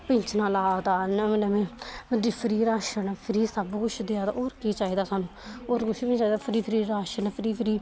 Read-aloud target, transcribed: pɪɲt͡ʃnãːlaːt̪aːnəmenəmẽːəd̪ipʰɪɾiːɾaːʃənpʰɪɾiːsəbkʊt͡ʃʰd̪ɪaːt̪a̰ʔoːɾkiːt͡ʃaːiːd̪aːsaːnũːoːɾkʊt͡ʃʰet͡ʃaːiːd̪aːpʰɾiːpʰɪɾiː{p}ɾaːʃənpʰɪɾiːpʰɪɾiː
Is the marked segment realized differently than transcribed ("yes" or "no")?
yes